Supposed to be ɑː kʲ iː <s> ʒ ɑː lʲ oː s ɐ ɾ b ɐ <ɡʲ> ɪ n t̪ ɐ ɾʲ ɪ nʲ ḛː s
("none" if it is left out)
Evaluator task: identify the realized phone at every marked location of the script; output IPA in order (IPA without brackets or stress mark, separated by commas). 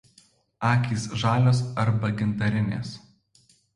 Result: s, ɡʲ